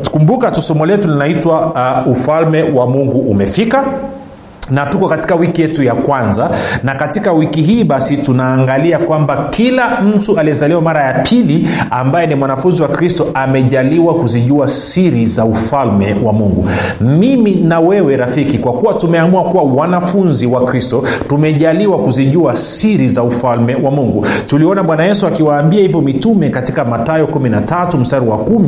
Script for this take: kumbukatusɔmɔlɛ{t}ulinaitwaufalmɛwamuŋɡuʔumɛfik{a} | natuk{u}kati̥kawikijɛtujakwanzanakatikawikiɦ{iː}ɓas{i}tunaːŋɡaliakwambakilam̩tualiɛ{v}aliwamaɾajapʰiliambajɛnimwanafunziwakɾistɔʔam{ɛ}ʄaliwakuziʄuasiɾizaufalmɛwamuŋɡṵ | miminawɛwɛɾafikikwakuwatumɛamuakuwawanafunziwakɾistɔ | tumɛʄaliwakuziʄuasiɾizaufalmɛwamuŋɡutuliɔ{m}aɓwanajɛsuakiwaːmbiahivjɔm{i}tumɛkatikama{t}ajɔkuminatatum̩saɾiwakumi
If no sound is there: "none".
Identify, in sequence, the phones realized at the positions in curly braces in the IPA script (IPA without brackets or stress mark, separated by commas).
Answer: t, a, ɔ, iː, i, z, ɛ, n, i, t